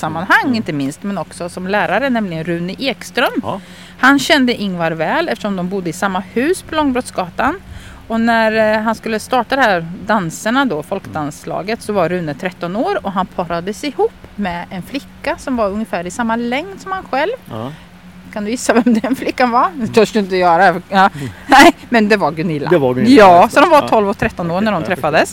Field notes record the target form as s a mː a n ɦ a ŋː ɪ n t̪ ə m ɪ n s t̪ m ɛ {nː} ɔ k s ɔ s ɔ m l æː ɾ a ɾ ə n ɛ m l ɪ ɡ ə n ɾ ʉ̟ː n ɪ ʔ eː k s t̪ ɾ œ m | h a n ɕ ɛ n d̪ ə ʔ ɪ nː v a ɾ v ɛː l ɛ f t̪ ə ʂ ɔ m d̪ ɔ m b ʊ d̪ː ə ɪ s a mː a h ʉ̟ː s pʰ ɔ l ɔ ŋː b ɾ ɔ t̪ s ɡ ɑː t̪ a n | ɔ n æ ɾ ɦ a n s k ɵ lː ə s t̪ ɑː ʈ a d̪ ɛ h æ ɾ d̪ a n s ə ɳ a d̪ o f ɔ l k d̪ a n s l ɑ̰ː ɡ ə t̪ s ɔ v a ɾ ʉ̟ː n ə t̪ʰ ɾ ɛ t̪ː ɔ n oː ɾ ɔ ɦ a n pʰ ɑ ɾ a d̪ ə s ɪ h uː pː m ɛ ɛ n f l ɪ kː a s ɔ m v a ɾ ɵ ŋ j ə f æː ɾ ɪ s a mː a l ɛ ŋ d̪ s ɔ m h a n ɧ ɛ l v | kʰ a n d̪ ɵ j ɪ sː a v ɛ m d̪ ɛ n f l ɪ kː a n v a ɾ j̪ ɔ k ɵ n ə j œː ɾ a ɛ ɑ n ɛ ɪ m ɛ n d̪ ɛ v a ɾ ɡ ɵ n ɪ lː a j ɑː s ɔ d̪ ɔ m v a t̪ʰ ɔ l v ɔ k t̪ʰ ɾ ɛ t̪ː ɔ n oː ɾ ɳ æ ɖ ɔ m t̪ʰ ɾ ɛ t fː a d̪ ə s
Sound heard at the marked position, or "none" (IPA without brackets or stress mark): n